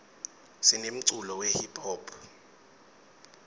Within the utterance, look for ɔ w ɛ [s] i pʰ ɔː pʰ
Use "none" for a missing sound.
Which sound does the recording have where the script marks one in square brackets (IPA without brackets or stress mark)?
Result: h